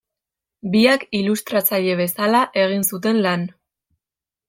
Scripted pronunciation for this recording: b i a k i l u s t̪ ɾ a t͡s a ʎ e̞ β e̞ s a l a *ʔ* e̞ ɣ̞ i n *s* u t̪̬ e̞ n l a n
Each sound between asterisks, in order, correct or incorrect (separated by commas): correct, correct